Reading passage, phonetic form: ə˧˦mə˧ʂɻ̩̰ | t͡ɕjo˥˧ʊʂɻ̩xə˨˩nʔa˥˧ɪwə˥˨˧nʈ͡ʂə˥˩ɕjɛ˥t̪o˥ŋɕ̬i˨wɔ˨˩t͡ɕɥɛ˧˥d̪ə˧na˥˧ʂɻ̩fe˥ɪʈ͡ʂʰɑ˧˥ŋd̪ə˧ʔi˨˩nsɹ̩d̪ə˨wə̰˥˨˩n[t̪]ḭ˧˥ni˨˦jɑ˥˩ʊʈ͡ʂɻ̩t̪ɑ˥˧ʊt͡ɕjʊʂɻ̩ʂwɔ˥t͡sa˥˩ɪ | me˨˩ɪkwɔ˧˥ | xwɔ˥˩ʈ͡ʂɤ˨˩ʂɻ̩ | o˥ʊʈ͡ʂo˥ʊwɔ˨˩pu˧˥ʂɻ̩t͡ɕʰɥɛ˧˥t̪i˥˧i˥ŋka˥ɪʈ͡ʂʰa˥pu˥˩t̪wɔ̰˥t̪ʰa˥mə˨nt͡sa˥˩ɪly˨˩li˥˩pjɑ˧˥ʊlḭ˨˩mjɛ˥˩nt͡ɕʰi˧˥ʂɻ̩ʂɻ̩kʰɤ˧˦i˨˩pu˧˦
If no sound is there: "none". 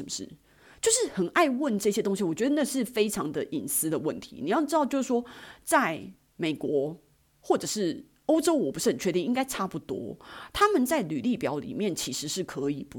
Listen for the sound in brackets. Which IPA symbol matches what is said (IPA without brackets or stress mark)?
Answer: t̪ʰ